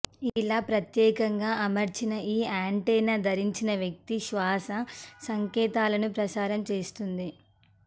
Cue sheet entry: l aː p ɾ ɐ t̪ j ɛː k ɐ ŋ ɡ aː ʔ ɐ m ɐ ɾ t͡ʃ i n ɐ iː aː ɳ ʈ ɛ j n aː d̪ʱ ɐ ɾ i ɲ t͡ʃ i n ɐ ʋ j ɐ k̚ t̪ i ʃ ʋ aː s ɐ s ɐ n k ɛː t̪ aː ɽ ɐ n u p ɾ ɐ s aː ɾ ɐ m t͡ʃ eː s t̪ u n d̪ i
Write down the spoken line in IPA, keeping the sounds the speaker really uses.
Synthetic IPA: l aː p ɾ ɐ t̪ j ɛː k ɐ ŋ ɡ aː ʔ ɐ m ɐ ɾ t͡ʃ i n ɐ iː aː ɳ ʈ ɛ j n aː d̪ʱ ɐ ɾ i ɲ t͡ʃ i n ɐ ʋ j ɐ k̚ t̪ i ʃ ʋ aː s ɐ s ɐ ŋ k ɛː t̪ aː l ɐ n u p ɾ ɐ s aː ɾ ɐ m t͡ʃ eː s t̪ u n d̪ i

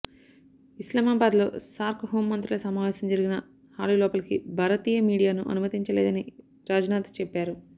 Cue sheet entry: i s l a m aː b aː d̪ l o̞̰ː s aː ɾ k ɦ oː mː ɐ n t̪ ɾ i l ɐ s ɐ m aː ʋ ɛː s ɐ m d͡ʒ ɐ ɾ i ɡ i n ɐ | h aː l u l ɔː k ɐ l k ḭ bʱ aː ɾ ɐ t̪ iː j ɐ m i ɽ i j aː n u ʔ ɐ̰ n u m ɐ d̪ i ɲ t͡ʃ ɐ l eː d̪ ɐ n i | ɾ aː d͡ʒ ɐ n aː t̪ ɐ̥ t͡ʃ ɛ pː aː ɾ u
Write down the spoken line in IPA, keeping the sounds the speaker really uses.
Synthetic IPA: i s l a m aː b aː d̪ l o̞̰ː s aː ɾ k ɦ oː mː ɐ n t̪ ɾ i l ɐ s ɐ m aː ʋ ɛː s ɐ m d͡ʒ ɐ ɾ i ɡ i n ɐ | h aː l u l ɔː p ɐ l k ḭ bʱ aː ɾ ɐ t̪ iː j ɐ m iː ɽ i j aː n u ʔ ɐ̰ n u m ɐ t̪ i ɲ t͡ʃ ɐ l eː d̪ ɐ n i | ɾ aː d͡ʒ ɐ n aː t̪ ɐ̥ t͡ʃ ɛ pː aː ɾ u

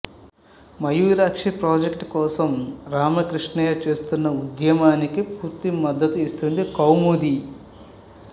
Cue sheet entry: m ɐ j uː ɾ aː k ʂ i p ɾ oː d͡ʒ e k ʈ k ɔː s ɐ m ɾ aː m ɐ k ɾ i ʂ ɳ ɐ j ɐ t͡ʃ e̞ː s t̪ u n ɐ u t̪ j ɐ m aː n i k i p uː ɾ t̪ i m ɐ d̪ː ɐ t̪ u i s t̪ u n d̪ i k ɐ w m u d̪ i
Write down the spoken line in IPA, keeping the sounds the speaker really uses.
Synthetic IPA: m ɐ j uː ɾ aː k ʂ i p ɾ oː d͡ʒ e k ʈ k ɔː s ɐ m ɾ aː m ɐ k ɾ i ʂ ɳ ɐ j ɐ t͡ʃ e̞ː s t̪ u nː ɐ u d̪ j ɐ m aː n i k i p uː ɾ t̪ i m ɐ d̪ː ɐ t̪ u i s t̪ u n d̪ i k ɐ w m u d̪ i

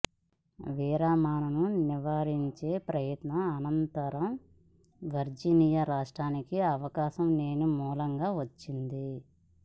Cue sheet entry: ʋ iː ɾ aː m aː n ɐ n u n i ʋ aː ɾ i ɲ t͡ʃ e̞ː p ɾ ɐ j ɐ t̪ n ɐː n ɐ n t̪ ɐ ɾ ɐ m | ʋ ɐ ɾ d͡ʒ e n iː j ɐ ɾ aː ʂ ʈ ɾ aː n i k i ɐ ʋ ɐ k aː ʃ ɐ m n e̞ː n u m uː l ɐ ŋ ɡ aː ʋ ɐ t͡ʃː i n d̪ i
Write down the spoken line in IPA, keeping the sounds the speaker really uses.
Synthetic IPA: ʋ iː ɾ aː m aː n ɐ n u n i ʋ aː ɾ i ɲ t͡ʃ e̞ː p ɾ ɐ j ɐ t̪ n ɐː n ɐ n t̪ ɐ ɾ ɐ m | ʋ ɐ ɾ d͡ʒ i n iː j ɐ ɾ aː ʂ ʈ ɾ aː n i k i ɐ ʋ ɐ k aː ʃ ɐ m n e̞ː n u m uː l ɐ ŋ ɡ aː ʋ ɐ t͡ʃː i n d̪ i

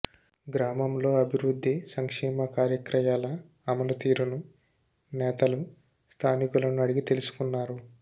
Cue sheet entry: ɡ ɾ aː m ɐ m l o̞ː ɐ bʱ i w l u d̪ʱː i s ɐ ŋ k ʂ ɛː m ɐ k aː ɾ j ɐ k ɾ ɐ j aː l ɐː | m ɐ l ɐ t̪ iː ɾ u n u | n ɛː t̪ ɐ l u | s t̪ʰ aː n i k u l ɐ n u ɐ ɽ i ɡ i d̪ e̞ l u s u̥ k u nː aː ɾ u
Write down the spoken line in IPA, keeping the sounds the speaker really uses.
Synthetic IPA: ɡ ɾ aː m ɐ m l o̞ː ɐ bʱ i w ɾ u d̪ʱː i s ɐ ŋ k ʂ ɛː m ɐ k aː ɾ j ɐ k ɾ ɐ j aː l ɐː | m ɐ l ɐ t̪ iː ɾ u n u | n ɛː t̪ ɐ l u | s t̪ʰ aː n i k u l ɐ n u ɐ ɽ i ɡ i t̪ e̞ l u s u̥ k u nː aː ɾ u

